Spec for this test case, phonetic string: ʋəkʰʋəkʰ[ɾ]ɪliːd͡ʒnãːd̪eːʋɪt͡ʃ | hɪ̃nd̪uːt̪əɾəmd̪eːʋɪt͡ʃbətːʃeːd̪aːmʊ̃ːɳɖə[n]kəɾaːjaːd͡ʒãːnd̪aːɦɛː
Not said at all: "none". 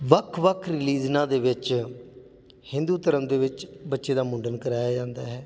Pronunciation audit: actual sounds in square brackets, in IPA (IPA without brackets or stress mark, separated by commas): ɾ, n